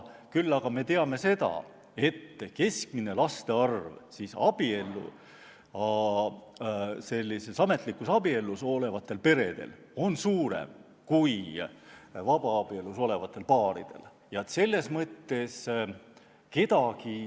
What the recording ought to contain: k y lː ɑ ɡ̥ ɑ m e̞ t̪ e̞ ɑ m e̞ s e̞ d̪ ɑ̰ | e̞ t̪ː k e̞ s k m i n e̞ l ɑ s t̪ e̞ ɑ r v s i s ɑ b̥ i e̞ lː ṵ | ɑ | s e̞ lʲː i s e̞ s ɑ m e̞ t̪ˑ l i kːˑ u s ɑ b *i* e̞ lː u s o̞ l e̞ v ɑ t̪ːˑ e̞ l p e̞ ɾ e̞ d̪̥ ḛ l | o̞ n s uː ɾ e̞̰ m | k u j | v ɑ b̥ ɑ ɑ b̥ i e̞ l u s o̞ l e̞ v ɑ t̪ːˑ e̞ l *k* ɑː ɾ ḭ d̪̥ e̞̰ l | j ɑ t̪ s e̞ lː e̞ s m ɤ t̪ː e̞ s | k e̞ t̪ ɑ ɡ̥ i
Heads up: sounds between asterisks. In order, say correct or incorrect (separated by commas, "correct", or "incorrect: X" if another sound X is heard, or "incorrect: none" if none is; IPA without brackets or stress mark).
correct, incorrect: p